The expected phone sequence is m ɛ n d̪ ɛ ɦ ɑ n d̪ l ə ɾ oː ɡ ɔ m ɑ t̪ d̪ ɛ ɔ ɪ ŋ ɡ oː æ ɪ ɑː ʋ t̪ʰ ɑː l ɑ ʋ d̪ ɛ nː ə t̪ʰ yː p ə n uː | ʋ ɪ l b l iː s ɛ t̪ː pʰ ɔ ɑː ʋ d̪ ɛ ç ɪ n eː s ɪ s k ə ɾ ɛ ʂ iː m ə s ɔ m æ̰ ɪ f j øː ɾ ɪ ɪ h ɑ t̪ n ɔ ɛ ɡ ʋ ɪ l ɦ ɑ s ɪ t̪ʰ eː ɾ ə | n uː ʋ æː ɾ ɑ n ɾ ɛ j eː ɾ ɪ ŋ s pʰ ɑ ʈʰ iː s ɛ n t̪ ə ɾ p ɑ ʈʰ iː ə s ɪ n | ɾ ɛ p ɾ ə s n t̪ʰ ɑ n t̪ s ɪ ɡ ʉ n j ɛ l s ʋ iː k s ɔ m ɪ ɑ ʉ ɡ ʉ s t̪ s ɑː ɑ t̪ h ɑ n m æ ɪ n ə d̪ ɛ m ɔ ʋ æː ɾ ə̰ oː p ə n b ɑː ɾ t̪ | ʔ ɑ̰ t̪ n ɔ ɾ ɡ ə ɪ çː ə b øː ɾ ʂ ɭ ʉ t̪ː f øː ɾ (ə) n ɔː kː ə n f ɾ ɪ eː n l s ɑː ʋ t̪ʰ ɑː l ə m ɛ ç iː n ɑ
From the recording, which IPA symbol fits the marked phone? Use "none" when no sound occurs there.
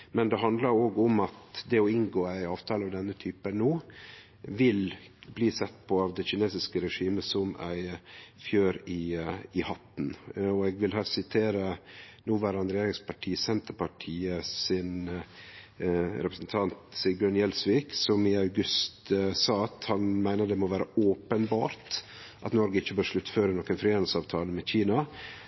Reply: ə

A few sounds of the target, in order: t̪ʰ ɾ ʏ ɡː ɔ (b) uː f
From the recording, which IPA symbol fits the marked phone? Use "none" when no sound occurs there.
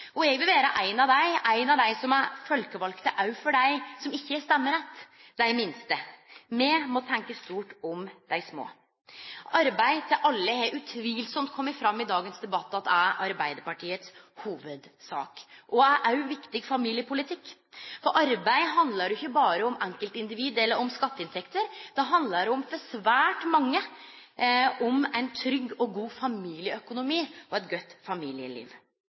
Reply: ɡ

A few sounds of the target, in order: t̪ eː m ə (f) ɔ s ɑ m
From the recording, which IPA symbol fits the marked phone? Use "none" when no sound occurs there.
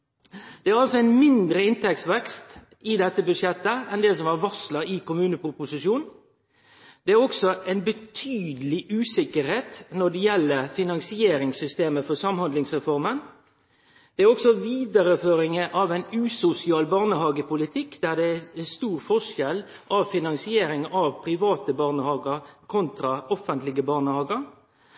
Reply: f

